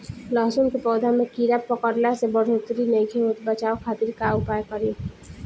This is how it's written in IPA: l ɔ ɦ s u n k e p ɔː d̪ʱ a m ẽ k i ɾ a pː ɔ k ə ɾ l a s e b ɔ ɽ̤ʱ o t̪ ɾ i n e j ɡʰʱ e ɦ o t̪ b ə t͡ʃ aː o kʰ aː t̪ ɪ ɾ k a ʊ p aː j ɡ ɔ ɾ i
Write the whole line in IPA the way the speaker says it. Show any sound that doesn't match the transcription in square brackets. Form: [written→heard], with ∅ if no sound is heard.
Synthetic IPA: l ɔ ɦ s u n k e p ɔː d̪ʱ a m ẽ k i ɾ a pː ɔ k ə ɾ l a s e b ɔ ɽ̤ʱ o t̪ ɾ i n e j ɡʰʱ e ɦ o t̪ b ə t͡ʃ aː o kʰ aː t̪ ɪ ɾ k a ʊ p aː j [ɡ→k] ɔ ɾ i